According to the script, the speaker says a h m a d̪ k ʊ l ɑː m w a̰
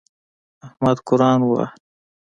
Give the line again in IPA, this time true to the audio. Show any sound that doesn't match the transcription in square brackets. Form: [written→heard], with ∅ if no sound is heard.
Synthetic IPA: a h m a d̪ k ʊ [l→ɾ] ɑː [m→n] w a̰